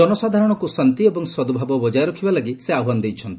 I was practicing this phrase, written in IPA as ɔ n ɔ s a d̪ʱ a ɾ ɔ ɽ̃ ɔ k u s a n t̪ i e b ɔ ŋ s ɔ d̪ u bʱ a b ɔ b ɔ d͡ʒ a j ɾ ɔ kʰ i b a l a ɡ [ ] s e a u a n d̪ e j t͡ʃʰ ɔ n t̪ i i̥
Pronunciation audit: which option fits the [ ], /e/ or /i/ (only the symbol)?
i